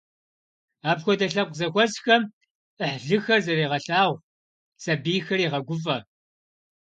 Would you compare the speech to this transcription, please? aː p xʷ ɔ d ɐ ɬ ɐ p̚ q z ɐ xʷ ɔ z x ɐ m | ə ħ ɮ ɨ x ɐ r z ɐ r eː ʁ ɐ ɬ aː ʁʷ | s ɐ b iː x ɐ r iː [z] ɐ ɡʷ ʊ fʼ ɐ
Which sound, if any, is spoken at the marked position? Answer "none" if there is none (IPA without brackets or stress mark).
ʁ